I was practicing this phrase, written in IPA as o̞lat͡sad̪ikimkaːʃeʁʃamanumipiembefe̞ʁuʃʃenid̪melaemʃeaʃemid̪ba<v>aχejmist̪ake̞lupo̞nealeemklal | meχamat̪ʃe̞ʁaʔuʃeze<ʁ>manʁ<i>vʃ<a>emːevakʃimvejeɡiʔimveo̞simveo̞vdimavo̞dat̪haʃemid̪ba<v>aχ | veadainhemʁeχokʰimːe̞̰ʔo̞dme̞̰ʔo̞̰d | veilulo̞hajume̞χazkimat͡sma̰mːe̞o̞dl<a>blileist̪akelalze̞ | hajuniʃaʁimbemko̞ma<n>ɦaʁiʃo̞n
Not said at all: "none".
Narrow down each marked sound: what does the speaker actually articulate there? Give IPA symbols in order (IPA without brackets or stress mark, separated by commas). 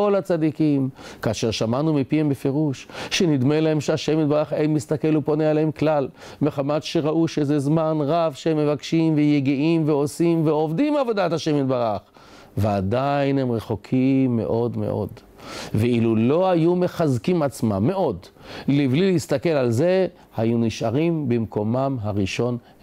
ʁ, z, a, e, ʁ, i, m